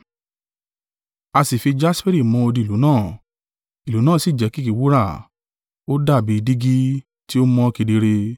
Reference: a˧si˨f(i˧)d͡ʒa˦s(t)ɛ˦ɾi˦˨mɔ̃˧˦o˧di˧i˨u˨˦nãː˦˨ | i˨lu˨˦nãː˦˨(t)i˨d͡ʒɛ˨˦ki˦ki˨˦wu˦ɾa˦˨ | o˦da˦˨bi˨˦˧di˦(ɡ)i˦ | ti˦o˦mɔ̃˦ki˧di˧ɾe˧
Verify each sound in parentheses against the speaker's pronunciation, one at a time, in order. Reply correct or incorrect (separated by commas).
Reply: correct, incorrect, incorrect, correct